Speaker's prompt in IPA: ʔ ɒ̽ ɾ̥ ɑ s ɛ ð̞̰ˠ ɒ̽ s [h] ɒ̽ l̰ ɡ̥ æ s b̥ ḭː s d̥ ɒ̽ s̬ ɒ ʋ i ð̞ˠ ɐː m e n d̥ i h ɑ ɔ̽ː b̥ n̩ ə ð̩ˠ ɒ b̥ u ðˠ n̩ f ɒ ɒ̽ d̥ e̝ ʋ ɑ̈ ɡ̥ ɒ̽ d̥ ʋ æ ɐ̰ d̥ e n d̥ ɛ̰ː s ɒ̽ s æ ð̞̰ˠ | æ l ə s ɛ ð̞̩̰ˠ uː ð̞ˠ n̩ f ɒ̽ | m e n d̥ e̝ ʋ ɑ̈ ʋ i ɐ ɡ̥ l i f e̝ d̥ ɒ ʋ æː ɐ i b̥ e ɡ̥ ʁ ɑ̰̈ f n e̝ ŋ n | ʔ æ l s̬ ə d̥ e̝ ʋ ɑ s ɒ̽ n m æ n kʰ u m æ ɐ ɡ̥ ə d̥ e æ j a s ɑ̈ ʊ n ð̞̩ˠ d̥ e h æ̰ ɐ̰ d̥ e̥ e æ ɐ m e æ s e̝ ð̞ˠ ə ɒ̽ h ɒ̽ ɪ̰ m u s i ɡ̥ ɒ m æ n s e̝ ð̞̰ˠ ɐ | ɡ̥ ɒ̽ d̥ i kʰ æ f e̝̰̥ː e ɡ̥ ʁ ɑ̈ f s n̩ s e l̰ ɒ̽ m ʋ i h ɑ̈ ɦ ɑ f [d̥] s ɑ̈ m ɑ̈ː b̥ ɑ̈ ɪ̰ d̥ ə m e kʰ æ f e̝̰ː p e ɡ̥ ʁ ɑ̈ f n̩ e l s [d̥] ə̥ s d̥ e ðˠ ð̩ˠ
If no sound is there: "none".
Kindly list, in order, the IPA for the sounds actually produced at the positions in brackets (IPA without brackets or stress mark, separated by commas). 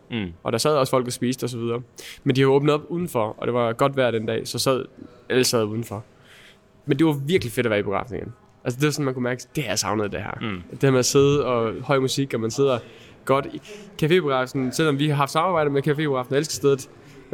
f, d̥, ɡ̥